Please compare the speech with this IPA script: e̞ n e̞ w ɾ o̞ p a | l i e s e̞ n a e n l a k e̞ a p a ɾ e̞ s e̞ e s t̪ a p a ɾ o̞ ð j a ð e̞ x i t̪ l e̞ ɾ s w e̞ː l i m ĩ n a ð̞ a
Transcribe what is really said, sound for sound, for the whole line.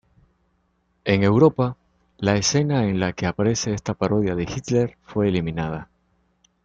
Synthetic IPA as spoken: e̞ ŋ e̞ w ɾ o̞ p a | l a e s e̞ n a e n l a k e̞ a p a ɾ e̞ s e̞ e s t̪ a p a ɾ o̞ ð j a ð e̞ x i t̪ l e̞ ɾ f w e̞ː l i m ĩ n a ð̞ a